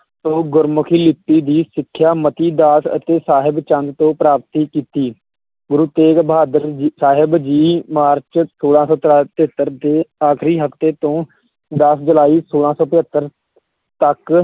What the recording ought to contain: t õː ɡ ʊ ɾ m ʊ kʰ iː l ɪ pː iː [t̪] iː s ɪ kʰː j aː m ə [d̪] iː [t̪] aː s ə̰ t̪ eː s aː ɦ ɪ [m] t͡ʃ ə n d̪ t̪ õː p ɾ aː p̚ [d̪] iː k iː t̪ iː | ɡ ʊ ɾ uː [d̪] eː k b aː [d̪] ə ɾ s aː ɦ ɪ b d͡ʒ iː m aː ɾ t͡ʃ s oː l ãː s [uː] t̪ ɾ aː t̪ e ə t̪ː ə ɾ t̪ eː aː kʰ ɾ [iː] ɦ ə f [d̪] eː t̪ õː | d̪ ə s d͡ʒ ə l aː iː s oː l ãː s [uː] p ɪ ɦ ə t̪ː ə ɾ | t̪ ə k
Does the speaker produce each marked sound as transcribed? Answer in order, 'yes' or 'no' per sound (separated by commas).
no, no, no, no, no, no, yes, no, yes, no, no